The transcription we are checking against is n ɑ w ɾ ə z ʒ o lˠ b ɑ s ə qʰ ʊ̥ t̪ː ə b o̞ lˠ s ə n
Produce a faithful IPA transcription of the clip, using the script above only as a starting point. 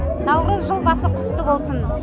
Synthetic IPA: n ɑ w ɾ ə z ʒ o lˠ b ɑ s ə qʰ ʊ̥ t̪ː ə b o̞ lˠ s ə n